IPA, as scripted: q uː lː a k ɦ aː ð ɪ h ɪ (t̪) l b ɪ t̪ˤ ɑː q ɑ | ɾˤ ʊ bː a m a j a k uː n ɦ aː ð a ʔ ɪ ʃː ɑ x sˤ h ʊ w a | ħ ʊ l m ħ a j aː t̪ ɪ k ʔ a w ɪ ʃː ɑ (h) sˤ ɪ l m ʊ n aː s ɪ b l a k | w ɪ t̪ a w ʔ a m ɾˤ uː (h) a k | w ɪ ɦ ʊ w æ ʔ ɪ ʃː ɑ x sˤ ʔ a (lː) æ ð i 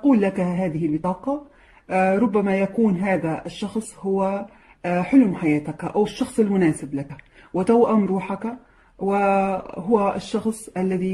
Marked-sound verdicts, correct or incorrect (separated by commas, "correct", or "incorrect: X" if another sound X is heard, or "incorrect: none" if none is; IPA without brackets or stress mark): incorrect: none, incorrect: x, incorrect: ħ, correct